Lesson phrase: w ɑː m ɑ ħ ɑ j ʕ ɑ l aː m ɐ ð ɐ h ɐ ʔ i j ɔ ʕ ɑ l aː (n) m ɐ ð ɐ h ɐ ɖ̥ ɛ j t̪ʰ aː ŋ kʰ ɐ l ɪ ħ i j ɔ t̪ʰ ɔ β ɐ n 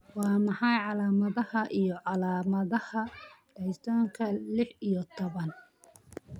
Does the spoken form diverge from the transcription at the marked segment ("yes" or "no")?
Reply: yes